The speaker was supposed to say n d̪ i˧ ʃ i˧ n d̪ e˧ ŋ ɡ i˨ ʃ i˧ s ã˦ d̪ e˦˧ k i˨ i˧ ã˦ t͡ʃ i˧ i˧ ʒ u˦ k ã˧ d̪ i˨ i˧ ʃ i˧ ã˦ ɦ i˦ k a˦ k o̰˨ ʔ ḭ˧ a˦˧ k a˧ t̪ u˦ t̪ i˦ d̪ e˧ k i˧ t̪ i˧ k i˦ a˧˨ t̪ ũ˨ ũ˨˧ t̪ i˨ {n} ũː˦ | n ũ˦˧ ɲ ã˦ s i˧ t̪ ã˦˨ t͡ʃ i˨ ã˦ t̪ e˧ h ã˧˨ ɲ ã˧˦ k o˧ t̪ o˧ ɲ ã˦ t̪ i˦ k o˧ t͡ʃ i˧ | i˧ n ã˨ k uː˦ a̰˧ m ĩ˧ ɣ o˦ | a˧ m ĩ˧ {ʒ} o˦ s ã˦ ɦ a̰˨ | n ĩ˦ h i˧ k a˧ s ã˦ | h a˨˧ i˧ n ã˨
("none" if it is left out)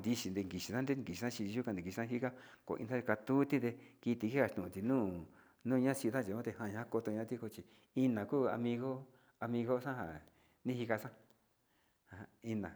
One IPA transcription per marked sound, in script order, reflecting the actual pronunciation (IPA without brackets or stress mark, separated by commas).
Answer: n, ɣ